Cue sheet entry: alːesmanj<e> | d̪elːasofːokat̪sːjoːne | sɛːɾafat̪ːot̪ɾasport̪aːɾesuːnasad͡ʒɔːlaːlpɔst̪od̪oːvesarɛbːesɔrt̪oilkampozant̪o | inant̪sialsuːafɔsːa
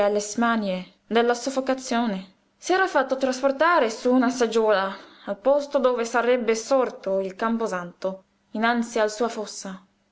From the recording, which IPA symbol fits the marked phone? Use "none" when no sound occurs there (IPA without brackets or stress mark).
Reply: e